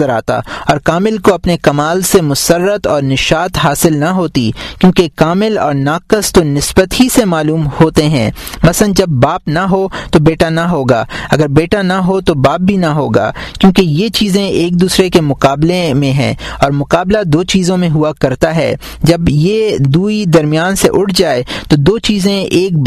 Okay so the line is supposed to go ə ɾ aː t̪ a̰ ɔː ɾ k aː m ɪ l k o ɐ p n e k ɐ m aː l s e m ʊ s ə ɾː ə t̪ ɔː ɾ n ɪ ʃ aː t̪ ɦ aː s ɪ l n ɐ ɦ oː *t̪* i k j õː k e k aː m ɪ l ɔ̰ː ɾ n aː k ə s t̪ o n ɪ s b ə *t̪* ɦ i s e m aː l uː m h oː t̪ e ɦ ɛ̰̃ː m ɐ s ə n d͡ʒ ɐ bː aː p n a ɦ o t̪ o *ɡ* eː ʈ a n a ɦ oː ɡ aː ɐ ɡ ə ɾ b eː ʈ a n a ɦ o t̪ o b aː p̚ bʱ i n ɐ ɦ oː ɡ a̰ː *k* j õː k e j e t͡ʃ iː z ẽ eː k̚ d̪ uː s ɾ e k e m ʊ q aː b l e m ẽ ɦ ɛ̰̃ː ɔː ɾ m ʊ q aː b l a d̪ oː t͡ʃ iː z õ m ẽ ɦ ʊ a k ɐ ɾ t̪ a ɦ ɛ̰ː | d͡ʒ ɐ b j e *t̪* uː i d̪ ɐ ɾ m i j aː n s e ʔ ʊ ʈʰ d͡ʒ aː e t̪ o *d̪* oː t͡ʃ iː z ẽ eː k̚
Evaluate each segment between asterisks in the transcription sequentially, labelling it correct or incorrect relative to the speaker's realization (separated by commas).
correct, correct, incorrect, correct, incorrect, correct